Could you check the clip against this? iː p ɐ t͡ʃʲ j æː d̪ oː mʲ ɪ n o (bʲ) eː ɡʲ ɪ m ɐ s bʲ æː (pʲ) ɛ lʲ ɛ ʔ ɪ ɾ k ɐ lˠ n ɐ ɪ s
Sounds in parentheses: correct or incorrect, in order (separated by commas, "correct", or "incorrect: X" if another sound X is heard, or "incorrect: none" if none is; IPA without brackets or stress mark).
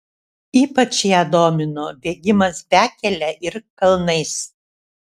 correct, incorrect: kʲ